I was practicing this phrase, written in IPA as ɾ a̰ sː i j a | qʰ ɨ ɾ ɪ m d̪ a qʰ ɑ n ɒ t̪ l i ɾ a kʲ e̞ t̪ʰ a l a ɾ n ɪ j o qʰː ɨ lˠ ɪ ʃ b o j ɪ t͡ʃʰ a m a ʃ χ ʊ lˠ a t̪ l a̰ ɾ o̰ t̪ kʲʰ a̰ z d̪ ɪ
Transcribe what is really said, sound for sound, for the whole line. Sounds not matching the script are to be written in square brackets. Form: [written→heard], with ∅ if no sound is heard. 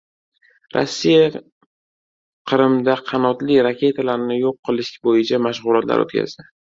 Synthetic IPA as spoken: ɾ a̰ sː i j a | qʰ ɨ ɾ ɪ m d̪ a qʰ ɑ n ɒ t̪ l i ɾ a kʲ e̞ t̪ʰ a l a ɾ n ɪ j o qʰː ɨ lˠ ɪ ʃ b o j ɪ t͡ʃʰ a m a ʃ [χ→ʁ] ʊ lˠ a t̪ l a̰ ɾ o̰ t̪ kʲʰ a̰ z d̪ ɪ